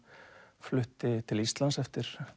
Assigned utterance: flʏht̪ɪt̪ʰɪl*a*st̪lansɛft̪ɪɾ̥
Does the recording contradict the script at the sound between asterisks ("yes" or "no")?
yes